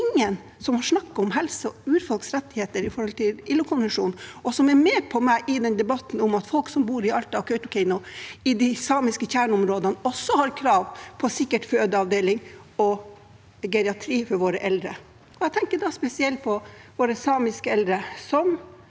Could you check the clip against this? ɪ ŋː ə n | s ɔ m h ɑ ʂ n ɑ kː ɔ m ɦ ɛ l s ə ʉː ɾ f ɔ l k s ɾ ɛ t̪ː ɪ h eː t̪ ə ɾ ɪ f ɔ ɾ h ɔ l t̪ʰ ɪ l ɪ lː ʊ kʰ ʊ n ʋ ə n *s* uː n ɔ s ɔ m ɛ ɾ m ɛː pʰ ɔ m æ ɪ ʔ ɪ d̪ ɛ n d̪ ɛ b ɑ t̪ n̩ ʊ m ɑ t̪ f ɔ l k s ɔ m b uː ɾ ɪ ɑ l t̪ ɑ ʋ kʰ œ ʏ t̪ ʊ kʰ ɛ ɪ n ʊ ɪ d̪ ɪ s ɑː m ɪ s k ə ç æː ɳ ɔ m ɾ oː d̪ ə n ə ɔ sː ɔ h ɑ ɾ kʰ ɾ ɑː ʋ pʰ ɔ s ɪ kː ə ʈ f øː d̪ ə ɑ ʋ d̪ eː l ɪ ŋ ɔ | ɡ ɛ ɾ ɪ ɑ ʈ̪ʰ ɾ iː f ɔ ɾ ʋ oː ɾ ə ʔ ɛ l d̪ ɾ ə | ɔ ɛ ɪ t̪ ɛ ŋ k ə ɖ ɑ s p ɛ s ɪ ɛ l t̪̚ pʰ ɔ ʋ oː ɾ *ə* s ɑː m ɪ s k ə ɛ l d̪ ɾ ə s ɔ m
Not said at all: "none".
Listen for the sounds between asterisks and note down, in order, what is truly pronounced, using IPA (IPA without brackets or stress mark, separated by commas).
ʂ, ə